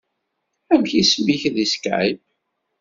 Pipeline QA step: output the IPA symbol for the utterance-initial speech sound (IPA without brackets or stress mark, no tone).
æ